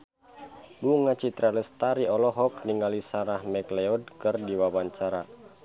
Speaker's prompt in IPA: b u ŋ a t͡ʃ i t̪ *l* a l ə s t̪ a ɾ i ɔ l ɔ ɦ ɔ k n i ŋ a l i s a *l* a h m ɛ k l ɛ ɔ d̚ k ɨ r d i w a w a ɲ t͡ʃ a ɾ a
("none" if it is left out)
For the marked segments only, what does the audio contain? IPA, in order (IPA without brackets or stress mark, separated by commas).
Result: ɾ, ɾ